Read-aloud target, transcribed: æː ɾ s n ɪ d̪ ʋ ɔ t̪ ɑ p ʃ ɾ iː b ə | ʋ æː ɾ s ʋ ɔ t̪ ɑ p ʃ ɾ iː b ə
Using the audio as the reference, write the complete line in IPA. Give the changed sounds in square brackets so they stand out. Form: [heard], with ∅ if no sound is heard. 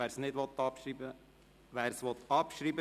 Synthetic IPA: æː ɾ s n ɪ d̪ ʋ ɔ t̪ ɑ p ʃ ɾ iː b ə | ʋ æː ɾ s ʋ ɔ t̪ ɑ p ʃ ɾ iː b ə